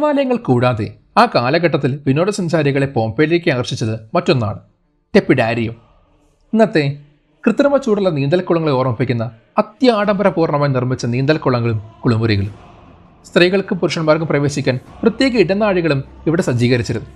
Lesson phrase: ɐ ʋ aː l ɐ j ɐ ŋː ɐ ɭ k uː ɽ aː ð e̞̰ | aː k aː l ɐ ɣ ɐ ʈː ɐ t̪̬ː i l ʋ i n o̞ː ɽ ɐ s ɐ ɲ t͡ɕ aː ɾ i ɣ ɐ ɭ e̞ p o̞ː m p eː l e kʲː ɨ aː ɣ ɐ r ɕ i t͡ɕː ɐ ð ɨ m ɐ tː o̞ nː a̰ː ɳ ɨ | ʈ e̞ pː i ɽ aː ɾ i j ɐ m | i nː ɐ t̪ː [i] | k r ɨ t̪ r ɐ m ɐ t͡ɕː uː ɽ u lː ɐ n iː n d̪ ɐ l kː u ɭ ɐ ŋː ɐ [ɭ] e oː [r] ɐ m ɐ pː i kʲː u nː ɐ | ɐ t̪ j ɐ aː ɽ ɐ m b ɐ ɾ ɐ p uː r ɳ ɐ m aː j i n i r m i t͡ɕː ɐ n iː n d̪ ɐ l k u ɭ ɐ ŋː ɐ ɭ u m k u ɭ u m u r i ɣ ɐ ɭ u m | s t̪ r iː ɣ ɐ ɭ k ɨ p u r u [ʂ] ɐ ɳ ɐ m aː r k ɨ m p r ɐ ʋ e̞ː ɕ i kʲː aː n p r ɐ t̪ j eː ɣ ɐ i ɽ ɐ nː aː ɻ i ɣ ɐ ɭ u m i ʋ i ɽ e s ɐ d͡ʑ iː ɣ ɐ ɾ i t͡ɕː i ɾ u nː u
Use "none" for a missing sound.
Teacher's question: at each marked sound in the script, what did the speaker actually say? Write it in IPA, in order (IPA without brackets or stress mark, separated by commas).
e, ɭ, r, ʂ